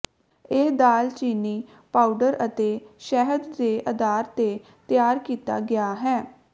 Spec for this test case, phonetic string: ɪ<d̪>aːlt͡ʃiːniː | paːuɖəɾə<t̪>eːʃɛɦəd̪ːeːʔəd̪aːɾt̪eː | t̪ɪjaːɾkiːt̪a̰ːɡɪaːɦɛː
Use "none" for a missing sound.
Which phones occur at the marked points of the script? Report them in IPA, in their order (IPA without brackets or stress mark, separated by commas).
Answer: d̪, t̪